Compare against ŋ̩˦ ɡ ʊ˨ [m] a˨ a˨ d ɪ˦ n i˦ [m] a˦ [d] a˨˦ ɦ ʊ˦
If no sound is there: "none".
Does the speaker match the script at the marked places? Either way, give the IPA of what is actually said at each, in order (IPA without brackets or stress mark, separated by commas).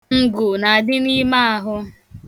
n, m, none